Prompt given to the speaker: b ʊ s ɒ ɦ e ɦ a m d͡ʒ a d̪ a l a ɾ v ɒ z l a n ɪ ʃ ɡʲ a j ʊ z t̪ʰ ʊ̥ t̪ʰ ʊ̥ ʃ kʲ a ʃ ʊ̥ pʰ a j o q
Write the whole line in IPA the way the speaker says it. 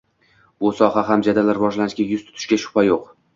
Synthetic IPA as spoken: b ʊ s ɒ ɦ a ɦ a m d͡ʒ a d̪ a l a ɾ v ɒ ʒ l a n ɪ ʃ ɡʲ a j ʊ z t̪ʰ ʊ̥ t̪ʰ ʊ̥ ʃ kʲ a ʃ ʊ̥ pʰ a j o q

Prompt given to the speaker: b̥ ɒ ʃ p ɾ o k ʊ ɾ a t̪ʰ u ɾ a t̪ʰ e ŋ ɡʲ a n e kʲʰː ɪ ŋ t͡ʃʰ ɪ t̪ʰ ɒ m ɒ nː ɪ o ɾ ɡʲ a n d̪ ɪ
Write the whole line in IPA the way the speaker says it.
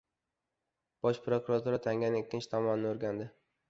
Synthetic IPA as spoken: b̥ ɒ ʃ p ɾ o k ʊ ɾ a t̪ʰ u ɾ a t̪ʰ a ŋ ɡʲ a n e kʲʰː ɪ n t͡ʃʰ ɪ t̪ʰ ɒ m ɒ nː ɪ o ɾ ɡʲ a n d̪ ɪ

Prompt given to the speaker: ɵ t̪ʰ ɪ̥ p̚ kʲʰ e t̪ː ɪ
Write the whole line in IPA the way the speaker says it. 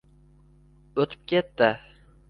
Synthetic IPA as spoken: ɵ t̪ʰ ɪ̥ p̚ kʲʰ e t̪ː ɪ

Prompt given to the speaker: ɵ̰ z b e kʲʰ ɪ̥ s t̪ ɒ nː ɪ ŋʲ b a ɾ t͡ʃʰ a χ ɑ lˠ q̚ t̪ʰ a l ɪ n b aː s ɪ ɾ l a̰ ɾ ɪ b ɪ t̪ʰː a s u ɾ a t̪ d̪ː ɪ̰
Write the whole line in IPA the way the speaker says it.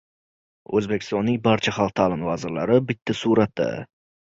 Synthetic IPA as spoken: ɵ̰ z b e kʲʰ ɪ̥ s t̪ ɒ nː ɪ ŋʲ b a ɾ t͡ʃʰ a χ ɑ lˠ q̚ t̪ʰ a l ɪ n v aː z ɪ ɾ l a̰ ɾ ɪ b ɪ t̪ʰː a s u ɾ a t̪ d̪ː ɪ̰

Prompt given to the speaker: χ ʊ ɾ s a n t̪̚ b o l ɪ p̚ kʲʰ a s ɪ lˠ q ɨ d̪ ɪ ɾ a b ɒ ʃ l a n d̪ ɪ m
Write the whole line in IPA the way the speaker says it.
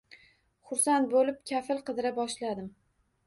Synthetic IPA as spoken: χ ʊ ɾ s a n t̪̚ b o l ɪ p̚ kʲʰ a f ɪ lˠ q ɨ d̪ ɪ ɾ a b ɒ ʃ l a d̪ ɪ m

